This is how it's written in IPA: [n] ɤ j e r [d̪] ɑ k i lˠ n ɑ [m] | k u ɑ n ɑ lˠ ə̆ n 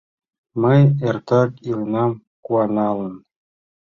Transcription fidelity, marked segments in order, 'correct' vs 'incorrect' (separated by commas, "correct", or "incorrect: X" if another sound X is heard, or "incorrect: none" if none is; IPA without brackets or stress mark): incorrect: m, incorrect: t̪, correct